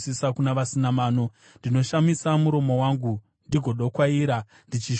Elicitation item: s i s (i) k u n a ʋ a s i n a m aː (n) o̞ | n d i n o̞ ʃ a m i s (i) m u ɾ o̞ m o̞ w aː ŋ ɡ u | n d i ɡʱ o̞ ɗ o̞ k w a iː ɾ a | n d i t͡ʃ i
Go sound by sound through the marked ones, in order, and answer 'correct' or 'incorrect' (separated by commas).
incorrect, correct, incorrect